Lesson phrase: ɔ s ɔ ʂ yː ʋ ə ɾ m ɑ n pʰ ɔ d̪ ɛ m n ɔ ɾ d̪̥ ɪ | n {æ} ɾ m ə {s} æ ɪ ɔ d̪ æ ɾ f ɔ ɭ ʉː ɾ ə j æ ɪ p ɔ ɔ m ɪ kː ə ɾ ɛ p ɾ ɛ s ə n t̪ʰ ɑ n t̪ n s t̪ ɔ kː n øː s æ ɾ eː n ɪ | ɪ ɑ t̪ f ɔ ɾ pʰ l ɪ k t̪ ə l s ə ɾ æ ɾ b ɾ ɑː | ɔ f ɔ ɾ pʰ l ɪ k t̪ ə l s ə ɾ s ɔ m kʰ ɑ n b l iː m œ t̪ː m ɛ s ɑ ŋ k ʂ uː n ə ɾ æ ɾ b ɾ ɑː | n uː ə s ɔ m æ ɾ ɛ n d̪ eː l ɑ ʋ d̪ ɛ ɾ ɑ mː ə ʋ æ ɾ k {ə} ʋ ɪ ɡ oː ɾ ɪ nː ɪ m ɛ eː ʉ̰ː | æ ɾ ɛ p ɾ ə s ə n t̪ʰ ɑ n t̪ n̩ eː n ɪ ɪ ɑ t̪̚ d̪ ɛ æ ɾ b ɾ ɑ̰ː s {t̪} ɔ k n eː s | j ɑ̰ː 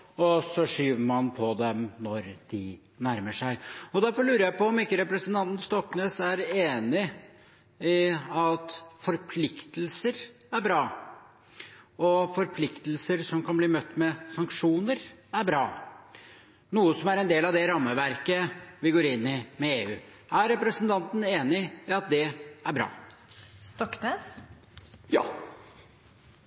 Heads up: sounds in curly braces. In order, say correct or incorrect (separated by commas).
correct, incorrect, correct, correct